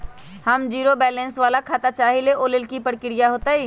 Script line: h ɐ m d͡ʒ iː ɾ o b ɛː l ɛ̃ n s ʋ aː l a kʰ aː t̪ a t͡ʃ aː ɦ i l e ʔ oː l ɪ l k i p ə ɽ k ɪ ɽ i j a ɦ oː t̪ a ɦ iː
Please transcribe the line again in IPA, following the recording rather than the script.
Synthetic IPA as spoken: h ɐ m d͡ʒ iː ɾ o b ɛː l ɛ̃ n s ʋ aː l a kʰ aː t̪ a t͡ʃ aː ɦ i l e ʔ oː l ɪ l k i p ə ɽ k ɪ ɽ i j a ɦ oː t̪ a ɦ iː